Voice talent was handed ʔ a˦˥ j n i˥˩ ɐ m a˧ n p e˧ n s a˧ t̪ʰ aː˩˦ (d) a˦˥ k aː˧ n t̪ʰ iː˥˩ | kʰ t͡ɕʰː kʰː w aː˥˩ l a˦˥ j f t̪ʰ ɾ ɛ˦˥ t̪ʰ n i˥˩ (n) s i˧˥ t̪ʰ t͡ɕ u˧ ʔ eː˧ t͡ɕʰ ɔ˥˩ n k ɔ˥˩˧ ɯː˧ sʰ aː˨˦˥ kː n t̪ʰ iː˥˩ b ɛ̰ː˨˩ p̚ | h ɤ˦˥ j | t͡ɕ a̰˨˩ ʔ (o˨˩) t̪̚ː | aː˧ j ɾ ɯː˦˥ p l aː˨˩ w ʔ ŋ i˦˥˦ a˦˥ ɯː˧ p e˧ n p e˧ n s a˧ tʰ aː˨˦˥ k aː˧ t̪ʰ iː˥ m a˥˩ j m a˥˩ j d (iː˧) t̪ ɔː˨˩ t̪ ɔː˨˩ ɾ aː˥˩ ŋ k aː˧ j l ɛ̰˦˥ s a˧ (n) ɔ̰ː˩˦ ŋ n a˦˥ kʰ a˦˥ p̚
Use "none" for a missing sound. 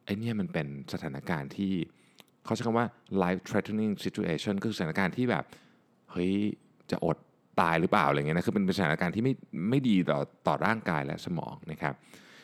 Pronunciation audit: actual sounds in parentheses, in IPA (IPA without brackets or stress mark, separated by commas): n, ŋ, o˨˩, iː˧, m